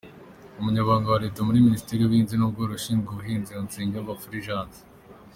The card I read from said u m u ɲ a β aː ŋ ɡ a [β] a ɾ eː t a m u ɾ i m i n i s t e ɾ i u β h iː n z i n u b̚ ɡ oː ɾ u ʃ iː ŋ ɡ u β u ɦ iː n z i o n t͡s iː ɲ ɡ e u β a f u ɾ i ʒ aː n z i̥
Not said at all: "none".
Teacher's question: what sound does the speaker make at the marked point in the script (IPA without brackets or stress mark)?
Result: w